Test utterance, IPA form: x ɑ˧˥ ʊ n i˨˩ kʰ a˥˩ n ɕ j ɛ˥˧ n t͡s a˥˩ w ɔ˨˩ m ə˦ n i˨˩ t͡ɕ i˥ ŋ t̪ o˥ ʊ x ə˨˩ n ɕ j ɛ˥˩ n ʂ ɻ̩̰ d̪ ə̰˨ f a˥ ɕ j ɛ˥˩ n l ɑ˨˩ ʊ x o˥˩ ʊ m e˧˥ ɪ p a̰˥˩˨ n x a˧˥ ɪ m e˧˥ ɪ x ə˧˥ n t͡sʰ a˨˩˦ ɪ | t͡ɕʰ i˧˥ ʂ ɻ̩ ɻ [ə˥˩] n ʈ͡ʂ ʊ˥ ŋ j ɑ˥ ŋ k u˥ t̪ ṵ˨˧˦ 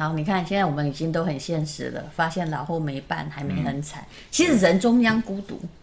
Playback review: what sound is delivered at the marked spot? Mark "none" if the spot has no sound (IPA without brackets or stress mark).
ə˧˥